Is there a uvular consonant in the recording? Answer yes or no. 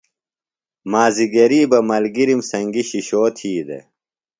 no